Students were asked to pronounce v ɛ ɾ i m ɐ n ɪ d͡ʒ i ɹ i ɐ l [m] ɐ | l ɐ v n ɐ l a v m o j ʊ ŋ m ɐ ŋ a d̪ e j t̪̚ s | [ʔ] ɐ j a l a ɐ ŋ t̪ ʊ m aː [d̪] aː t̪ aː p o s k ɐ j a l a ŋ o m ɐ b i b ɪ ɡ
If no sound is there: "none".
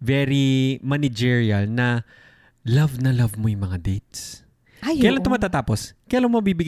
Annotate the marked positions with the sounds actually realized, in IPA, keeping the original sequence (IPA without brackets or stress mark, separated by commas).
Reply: n, k, t̪